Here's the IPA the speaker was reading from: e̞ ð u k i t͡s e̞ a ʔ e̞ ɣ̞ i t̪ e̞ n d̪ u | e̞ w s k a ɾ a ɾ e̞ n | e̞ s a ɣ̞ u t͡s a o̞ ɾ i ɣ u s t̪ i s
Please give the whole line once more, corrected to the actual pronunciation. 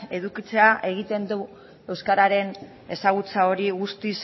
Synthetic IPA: e̞ ð u k i t͡s e̞ a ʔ e̞ ɣ̞ i t̪ e̞ n d̪ u | e̞ w s k a ɾ a ɾ e̞ n | e̞ s a ɣ̞ u t͡s a o̞ ɾ i ɣ u s t̪ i s